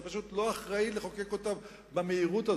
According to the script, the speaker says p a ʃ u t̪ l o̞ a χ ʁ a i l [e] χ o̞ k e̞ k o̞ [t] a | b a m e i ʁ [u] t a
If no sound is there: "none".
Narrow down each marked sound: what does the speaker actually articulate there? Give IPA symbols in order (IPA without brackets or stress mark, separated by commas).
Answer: e, t, u